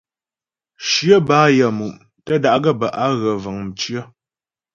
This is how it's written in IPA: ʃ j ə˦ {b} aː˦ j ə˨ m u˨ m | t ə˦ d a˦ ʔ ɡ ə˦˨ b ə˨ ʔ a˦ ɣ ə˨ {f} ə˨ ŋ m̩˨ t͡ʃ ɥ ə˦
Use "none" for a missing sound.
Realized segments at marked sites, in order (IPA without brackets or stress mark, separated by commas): b, v